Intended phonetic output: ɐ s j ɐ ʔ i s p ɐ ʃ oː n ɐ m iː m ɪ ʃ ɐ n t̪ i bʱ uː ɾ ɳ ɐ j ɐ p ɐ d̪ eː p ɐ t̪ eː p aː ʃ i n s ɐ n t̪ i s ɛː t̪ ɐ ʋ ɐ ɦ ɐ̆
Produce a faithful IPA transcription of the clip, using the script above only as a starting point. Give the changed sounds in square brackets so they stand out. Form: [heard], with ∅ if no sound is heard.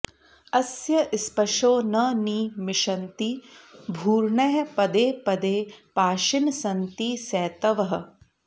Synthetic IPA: ɐ s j ɐ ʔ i s p ɐ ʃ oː n ɐ [n] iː m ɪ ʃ ɐ n t̪ i bʱ uː ɾ ɳ ɐ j ɐ p ɐ d̪ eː p ɐ [d̪] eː p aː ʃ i n s ɐ n t̪ i s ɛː t̪ ɐ ʋ ɐ ɦ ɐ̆